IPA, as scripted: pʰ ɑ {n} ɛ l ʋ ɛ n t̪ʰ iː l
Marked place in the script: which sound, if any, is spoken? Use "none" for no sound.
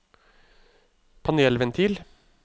n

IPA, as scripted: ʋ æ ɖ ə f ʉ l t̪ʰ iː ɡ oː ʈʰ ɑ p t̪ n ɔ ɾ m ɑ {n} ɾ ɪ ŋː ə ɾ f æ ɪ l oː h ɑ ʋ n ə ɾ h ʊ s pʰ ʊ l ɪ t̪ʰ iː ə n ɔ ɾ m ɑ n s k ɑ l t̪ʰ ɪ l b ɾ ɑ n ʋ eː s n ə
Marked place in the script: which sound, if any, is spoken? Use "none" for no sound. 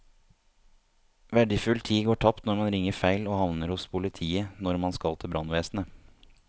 n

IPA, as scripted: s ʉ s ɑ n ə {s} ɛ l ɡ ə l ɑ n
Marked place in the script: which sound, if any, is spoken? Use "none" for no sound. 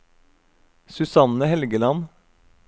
h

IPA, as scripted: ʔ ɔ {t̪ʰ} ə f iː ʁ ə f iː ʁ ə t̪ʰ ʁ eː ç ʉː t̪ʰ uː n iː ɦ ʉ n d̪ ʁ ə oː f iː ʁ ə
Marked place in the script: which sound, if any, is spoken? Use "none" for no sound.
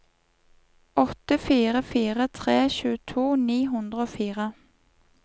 t̪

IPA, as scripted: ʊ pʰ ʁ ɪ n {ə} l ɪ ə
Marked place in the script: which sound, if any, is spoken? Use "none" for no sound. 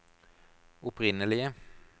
ə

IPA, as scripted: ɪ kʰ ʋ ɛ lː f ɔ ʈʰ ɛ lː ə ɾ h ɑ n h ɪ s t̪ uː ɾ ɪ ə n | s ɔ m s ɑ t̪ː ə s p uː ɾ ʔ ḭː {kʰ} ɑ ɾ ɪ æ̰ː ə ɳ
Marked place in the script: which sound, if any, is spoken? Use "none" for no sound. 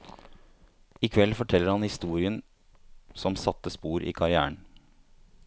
kʰ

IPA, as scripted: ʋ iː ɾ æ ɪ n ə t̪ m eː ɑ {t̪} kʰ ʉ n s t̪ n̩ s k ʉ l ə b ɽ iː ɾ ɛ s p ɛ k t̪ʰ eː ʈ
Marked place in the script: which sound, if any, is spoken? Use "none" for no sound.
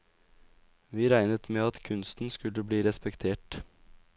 t̪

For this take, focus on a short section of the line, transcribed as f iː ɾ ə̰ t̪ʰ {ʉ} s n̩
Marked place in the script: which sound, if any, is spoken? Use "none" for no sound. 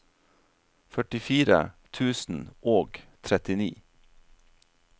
ʉː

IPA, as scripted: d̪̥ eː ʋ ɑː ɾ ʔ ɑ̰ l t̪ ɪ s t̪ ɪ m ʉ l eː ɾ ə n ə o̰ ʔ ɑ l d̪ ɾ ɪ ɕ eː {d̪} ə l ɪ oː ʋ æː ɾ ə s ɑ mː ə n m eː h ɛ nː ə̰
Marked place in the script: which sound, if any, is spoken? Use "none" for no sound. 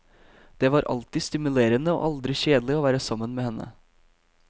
d̪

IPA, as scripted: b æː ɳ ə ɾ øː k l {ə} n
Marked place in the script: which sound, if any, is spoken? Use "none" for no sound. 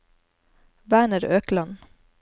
ɑ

